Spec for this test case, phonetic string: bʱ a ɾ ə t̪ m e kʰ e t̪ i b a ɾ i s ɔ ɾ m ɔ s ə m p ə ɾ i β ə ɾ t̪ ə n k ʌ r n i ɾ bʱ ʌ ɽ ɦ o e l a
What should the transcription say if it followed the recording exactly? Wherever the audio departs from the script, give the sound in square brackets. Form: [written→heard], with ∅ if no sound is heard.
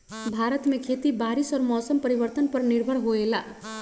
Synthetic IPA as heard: bʱ a ɾ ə t̪ m e kʰ e t̪ i b a ɾ i s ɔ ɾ m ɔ s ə m p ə ɾ i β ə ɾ t̪ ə n [k→p] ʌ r n i ɾ bʱ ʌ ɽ ɦ o e l a